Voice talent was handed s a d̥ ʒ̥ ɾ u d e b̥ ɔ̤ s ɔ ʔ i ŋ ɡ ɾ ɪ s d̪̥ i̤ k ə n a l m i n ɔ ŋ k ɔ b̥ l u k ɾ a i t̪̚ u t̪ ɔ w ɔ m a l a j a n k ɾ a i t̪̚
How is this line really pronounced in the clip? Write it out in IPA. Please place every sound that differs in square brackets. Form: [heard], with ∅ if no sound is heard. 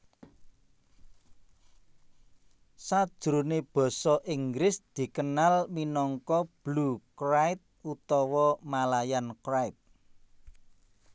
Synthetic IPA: s a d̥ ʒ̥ ɾ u [n] e b̥ ɔ̤ s ɔ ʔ i ŋ ɡ ɾ ɪ s d̪̥ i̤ k ə n a l m i n ɔ ŋ k ɔ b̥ l u k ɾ a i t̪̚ u t̪ ɔ w ɔ m a l a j a n k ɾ a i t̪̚